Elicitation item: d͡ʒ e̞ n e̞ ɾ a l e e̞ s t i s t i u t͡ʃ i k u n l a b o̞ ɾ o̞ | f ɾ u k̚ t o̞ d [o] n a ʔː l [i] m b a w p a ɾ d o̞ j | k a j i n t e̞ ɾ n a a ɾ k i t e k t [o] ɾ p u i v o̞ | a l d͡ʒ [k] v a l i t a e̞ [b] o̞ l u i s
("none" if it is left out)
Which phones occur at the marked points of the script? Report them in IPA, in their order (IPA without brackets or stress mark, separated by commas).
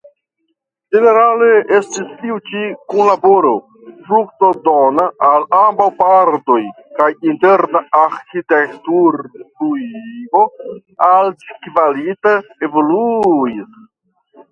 o, a, u, k, v